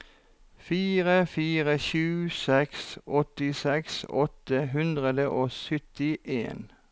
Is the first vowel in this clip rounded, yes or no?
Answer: no